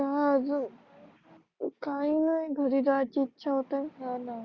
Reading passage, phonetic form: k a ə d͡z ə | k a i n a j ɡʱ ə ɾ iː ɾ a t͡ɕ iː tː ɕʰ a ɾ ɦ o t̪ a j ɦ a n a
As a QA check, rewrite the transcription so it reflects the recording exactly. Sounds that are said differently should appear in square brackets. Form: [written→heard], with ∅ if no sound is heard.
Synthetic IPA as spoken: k a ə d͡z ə | k a i n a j ɡʱ ə ɾ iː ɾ a t͡ɕ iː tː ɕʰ a [ɾ→∅] ɦ o t̪ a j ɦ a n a